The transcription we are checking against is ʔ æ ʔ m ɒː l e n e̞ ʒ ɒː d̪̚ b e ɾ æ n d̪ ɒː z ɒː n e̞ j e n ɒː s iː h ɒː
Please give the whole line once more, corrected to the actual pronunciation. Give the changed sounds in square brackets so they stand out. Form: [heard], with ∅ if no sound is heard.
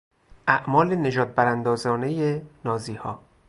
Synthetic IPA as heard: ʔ æ ʔ m ɒː l e n e̞ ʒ ɒː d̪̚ b [æ] ɾ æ n d̪ ɒː z ɒː n e̞ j e n ɒː [z] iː h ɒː